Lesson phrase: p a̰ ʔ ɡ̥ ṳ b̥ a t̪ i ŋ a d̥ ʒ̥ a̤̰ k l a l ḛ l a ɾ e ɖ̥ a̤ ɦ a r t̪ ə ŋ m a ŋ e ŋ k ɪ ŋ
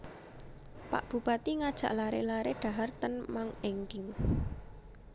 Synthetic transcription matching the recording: p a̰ ʔ b̥ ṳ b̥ a t̪ i ŋ a d̥ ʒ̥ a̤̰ ʔ l a ɾ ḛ l a ɾ e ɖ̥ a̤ ɦ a r t̪ ə n m a ŋ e ŋ k ɪ ŋ